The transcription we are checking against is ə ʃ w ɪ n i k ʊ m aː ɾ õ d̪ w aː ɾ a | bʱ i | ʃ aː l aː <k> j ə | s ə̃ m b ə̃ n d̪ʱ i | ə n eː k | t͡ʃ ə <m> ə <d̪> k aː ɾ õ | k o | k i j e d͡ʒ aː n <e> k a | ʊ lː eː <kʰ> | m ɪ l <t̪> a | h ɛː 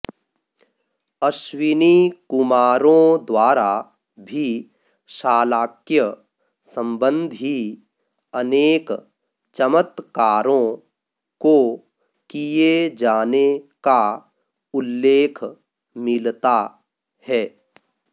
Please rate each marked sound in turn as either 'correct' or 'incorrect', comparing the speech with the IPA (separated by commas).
correct, correct, incorrect, correct, correct, correct